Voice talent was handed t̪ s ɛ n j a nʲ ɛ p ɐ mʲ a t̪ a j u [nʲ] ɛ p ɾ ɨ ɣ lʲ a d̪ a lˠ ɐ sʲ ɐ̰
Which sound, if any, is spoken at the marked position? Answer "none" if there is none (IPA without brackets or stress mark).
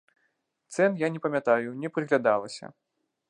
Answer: nʲ